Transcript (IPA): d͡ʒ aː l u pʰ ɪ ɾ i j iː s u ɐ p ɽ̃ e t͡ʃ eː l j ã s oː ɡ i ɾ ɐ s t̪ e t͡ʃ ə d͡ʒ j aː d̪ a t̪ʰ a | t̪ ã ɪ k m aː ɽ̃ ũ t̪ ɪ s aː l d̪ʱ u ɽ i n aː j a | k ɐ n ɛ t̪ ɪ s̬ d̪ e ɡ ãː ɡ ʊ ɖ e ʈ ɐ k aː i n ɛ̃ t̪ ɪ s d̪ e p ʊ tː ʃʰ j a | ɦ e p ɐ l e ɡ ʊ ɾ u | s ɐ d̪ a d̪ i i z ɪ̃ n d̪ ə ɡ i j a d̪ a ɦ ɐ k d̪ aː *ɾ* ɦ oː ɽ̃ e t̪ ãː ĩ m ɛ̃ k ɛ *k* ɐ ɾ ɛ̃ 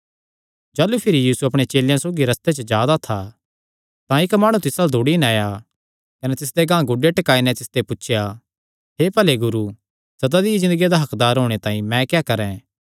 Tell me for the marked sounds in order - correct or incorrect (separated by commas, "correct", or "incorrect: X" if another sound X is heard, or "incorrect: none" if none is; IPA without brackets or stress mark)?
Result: correct, correct